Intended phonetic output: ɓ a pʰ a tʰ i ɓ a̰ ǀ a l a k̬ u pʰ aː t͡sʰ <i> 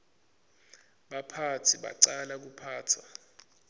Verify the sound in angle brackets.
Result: incorrect: a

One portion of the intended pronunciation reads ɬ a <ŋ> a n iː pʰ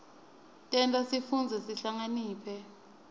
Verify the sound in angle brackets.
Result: correct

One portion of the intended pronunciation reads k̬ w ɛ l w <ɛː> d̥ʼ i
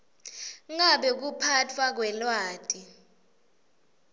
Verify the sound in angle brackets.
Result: incorrect: aː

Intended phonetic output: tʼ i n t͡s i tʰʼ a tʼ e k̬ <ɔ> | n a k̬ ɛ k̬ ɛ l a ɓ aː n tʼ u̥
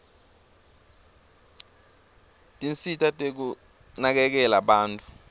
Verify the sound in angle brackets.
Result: incorrect: u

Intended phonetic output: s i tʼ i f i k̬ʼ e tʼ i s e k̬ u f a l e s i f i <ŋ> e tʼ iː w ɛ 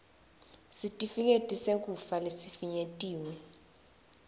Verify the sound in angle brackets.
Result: incorrect: ɲ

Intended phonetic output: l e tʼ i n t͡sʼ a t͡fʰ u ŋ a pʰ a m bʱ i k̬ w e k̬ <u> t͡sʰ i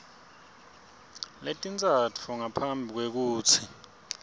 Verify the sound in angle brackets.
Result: incorrect: uː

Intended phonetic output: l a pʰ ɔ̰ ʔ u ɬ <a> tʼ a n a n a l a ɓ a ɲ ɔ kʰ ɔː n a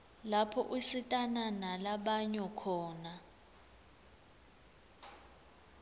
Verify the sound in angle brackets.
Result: incorrect: i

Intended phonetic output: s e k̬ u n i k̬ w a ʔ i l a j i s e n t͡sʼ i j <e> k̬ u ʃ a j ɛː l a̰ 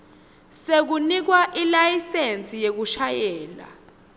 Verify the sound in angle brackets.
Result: correct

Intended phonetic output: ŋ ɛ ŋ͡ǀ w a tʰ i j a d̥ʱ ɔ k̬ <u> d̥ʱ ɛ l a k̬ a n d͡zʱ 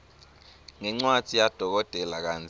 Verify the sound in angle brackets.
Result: incorrect: ɔ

